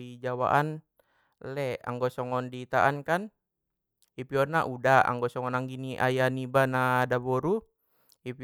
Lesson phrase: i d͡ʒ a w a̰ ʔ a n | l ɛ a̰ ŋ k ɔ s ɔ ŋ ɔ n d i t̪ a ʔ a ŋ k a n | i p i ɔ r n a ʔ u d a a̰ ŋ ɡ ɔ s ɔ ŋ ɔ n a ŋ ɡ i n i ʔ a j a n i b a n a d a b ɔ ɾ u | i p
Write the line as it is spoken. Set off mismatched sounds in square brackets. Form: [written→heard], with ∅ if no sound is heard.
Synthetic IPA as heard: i d͡ʒ a w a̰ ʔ a n | l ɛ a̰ ŋ [k→ɡ] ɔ s ɔ ŋ ɔ n d i t̪ a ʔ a [ŋ→n] k a n | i p i ɔ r n a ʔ u d a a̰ ŋ ɡ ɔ s ɔ ŋ ɔ n a ŋ ɡ i n i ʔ a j a n i b a n a d a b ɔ ɾ u | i p